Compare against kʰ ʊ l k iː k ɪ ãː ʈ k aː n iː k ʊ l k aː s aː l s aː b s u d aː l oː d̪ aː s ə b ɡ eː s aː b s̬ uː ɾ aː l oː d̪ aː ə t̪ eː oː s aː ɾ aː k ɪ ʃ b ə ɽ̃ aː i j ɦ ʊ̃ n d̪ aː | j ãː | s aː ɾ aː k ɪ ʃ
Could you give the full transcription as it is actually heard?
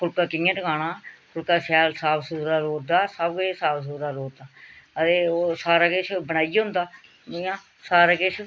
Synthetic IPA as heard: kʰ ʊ l k aː k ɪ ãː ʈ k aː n aː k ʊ l k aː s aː l s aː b s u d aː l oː d̪ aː s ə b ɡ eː s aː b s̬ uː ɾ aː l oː d̪ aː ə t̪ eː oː s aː ɾ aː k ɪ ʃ b ə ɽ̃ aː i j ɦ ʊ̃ n d̪ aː | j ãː | s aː ɾ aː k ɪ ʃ